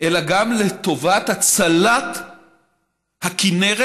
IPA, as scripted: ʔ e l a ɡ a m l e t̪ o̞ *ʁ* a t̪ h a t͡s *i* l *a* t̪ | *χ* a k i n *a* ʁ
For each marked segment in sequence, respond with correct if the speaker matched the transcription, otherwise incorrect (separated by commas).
incorrect, incorrect, correct, incorrect, incorrect